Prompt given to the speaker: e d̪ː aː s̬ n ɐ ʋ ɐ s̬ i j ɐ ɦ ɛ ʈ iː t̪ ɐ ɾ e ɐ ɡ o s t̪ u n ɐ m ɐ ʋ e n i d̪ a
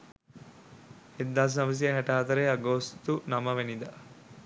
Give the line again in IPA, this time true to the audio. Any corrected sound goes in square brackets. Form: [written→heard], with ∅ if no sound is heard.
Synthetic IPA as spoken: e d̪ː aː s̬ n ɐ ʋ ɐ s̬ i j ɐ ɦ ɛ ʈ [iː→aː] t̪ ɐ ɾ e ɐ ɡ o s t̪ u n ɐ m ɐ ʋ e n i d̪ a